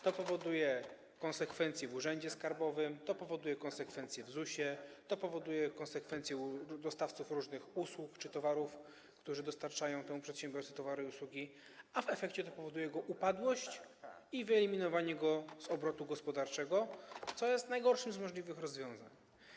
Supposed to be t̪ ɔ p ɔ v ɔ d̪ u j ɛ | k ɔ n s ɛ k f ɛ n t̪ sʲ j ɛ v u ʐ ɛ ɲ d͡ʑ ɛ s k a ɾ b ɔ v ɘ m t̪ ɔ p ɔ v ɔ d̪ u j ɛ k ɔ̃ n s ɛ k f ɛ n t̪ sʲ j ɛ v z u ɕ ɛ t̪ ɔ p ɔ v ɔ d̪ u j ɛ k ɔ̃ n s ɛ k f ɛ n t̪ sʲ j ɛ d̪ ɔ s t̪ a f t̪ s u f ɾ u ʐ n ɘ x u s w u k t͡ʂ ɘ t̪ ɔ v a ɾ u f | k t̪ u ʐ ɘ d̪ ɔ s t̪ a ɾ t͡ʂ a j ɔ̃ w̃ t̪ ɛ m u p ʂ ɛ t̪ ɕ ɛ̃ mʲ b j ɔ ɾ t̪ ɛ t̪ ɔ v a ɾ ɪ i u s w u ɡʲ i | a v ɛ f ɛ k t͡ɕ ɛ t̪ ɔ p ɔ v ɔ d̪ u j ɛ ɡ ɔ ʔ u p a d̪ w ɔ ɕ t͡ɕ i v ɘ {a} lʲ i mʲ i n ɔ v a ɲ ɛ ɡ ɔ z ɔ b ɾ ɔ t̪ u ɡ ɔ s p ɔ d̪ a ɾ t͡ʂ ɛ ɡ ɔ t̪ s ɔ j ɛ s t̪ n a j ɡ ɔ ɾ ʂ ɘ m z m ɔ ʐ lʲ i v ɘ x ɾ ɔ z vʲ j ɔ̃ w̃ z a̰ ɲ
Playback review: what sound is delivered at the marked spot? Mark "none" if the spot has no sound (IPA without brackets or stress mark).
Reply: ɛ